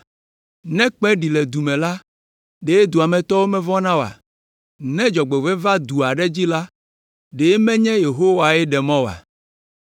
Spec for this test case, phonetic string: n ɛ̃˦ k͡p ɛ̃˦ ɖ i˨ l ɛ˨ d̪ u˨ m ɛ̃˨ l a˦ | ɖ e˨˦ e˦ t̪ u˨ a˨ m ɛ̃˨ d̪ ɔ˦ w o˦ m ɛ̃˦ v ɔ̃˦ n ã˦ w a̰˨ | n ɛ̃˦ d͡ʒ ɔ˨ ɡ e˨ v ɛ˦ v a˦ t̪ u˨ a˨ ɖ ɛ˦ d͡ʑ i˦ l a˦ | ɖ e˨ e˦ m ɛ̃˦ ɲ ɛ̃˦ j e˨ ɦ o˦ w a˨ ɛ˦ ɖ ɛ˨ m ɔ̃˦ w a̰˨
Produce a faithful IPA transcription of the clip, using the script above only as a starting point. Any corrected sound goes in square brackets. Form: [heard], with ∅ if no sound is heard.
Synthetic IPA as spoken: n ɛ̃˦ k͡p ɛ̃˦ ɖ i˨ l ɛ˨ d̪ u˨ m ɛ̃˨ l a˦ | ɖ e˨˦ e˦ [d̪] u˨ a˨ m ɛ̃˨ [t̪] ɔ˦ w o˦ m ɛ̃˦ v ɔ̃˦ n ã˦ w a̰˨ | n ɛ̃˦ d͡ʒ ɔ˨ [ɡ͡b] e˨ v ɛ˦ v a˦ [d̪] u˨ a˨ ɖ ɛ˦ d͡ʑ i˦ l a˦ | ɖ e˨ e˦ m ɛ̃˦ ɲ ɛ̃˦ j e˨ ɦ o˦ w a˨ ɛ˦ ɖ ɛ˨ m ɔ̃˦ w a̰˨

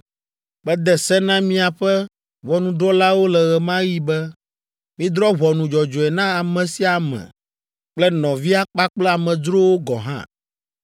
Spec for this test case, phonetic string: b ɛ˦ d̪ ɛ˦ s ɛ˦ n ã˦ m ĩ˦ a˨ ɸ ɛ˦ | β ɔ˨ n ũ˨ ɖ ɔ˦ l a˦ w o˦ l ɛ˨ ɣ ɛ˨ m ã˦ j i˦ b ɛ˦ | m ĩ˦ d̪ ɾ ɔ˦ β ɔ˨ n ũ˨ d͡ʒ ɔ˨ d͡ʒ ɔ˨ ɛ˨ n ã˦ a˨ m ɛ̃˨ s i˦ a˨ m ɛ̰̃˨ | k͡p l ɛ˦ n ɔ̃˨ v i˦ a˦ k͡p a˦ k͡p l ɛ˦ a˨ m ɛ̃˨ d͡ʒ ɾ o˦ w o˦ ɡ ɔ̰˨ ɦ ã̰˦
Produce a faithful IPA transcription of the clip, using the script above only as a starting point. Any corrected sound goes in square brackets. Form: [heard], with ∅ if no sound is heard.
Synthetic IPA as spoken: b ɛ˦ d̪ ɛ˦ s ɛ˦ n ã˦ m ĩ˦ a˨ ɸ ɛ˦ | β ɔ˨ n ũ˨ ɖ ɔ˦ l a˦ w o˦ l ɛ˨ ɣ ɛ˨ m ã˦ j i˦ b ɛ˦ | m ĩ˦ d̪ ɾ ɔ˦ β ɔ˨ n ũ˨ d͡ʒ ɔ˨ d͡ʒ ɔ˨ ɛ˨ n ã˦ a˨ m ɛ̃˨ s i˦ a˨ m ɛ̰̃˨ | k͡p l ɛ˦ n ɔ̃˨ v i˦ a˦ k͡p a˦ k͡p l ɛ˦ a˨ m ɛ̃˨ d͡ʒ ɾ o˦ w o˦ ɡ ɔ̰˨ ɦ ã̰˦

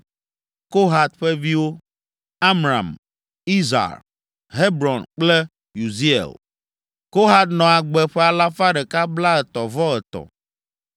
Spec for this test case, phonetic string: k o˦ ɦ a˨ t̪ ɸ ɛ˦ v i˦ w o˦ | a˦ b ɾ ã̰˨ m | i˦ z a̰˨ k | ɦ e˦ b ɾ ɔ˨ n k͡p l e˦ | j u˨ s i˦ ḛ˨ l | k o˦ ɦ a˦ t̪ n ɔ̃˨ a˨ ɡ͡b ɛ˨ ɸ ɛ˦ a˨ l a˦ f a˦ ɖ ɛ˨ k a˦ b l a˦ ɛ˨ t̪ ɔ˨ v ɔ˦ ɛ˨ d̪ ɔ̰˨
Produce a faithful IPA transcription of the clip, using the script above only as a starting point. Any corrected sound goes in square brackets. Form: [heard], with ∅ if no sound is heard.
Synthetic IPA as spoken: k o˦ ɦ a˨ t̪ ɸ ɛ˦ v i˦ w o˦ | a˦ [m] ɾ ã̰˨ m | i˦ z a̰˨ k | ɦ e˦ b ɾ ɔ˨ n k͡p l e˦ | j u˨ [z] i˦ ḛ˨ l | k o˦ ɦ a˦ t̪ n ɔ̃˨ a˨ ɡ͡b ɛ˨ ɸ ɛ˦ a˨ l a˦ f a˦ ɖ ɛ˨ k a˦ b l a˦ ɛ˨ t̪ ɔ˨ v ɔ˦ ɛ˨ [t̪] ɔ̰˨

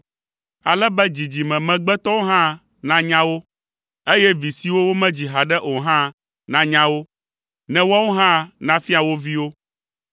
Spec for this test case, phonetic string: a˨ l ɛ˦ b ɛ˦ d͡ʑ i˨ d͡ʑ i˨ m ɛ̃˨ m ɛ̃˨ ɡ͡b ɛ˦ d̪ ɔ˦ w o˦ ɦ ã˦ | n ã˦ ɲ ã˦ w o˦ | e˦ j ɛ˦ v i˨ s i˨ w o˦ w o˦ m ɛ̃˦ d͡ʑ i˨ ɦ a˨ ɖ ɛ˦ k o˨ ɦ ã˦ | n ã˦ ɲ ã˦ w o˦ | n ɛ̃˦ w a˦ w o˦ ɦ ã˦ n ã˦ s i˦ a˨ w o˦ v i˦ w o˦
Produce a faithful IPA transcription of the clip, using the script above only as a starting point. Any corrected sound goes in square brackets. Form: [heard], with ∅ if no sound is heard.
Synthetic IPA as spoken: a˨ l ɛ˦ b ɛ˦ d͡ʑ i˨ d͡ʑ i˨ m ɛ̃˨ m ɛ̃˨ ɡ͡b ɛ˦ [t̪] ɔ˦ w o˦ ɦ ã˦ | n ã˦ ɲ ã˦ w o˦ | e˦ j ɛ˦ v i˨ s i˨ w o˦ w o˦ m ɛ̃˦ d͡ʑ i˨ ɦ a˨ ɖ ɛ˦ [ʔ] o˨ ɦ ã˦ | n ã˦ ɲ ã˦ w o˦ | n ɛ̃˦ w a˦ w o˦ ɦ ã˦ n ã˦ [f] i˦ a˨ w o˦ v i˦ w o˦

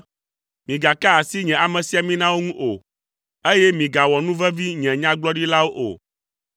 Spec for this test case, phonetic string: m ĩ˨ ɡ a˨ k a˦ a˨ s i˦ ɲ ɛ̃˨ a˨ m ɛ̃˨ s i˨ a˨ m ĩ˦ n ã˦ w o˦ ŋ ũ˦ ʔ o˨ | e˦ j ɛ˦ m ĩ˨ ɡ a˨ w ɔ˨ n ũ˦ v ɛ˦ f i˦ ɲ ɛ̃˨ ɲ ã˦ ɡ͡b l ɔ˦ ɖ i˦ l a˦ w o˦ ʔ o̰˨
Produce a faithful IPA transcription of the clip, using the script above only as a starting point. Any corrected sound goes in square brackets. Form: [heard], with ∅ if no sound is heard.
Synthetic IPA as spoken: m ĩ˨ ɡ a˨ k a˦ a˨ s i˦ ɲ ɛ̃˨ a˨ m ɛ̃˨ s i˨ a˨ m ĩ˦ n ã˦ w o˦ ŋ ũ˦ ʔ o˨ | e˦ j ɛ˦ m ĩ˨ ɡ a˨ w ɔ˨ n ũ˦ v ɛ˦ [v] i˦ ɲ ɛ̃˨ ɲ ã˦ ɡ͡b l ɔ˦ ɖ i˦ l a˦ w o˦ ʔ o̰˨

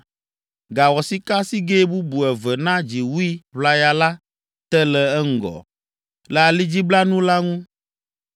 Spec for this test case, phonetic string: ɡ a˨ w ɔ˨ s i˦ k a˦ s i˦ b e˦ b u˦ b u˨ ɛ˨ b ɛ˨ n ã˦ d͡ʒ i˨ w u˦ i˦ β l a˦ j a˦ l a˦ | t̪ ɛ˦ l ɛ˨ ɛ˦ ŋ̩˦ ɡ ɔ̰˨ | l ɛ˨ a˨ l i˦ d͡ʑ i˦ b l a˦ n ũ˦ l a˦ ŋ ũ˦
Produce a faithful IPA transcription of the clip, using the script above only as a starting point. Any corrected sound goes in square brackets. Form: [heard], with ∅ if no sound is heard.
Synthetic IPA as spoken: ɡ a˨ w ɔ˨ s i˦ k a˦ s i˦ [ɡ] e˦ b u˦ b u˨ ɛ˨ [v] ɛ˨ n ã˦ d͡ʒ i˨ w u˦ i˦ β l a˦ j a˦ l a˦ | t̪ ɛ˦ l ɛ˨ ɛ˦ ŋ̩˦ ɡ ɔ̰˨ | l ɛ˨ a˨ l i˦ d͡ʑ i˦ b l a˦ n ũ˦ l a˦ ŋ ũ˦

